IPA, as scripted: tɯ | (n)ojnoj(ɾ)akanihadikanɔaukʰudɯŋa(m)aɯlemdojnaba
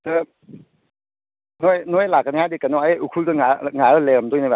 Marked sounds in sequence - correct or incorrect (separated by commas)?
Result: correct, incorrect, incorrect